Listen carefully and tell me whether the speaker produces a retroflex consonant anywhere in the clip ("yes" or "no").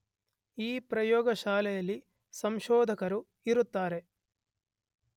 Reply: no